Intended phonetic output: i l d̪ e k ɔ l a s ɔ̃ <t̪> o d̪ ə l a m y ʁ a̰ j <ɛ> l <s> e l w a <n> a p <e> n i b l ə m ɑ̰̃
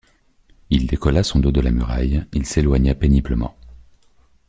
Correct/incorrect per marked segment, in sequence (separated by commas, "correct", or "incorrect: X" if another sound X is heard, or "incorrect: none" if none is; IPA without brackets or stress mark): incorrect: d̪, incorrect: i, correct, incorrect: ɲ, correct